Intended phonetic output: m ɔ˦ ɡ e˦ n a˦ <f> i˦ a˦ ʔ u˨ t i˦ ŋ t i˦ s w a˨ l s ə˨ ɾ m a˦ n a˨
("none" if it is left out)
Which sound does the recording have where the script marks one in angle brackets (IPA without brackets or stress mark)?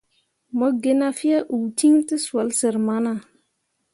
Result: f